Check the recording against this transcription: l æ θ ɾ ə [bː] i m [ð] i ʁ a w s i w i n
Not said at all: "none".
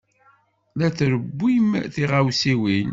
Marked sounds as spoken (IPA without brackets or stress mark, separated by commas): bː, θ